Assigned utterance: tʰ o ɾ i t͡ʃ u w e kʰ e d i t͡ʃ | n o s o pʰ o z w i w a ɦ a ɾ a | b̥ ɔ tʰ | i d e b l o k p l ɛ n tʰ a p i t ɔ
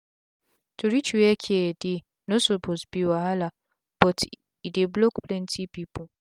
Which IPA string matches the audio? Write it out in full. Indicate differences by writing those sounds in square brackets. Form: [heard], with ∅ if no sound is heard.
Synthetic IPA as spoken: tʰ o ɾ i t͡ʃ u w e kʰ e d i [∅] | n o s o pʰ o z [b] i w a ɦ a [l] a | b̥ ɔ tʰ | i d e b l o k p l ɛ n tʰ [i] p i [p] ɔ